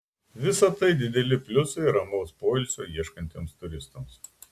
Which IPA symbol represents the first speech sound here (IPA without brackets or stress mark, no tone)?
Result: ʋʲ